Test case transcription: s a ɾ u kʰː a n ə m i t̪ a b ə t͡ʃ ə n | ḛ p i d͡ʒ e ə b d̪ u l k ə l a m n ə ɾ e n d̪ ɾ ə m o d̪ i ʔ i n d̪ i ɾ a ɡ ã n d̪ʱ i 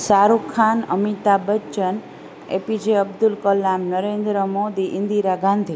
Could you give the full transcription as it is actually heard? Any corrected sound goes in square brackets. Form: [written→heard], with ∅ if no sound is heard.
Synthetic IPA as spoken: s a ɾ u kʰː a n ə m i t̪ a b ə t͡ʃ ə n | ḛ p i d͡ʒ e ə b d̪ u l k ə l a m n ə ɾ e n d̪ ɾ ə m o d̪ i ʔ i n d̪ i ɾ a ɡ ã n d̪ʱ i